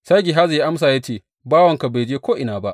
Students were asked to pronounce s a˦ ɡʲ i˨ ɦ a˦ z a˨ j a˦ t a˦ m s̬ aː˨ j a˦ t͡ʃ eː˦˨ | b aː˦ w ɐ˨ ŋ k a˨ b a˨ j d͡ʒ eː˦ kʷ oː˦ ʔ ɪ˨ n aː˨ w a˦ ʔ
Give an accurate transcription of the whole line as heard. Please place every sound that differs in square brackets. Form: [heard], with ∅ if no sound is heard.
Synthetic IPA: s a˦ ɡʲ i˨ ɦ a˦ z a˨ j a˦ [ʔ] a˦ m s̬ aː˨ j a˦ t͡ʃ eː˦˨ | b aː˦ w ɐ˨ ŋ k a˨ b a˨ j d͡ʒ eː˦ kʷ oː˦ ʔ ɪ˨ n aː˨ [b] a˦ ʔ